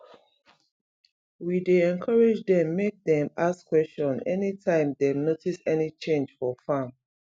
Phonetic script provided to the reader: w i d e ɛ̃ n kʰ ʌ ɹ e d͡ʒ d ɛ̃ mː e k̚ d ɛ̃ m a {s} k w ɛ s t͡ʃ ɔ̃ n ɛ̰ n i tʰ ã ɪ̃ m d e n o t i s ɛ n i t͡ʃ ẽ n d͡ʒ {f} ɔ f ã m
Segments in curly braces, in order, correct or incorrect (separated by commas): correct, correct